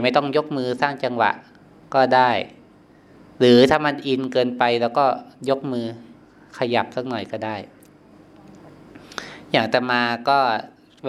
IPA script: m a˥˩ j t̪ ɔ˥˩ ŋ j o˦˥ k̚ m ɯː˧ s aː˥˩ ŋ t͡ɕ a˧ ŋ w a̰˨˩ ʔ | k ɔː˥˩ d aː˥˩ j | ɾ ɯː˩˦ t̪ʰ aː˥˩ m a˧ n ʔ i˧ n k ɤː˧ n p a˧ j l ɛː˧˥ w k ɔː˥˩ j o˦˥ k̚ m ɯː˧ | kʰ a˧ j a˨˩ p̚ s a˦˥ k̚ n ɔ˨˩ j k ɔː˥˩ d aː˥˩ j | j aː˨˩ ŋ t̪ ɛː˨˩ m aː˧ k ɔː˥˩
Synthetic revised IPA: m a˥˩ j t̪ ɔ˥˩ ŋ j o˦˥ k̚ m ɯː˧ s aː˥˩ ŋ t͡ɕ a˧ ŋ w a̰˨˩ ʔ | k ɔː˥˩ d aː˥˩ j | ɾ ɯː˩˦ t̪ʰ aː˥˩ m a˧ n ʔ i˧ n k ɤː˧ n p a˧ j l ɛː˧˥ w k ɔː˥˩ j o˦˥ k̚ m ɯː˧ | kʰ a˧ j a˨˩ p̚ s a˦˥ k̚ n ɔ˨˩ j k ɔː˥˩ d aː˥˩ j | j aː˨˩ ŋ t̪ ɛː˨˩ m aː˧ k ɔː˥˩